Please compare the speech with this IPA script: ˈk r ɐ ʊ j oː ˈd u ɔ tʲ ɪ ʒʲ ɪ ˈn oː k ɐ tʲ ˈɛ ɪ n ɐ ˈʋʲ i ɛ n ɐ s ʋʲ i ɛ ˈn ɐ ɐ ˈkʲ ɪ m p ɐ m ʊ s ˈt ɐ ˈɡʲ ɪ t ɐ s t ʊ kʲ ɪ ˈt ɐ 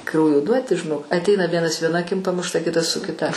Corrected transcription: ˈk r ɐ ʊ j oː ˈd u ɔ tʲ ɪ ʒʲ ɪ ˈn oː k ɐ tʲ ˈɛ ɪ n ɐ ˈʋʲ i ɛ n ɐ s ʋʲ i ɛ ˈn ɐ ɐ ˈkʲ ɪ m p ɐ m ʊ ʃ ˈt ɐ ˈkʲ ɪ t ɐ s s ʊ kʲ ɪ ˈt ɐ